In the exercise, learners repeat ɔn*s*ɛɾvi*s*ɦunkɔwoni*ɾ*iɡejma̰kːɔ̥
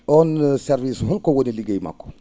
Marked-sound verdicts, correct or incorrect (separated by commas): correct, correct, incorrect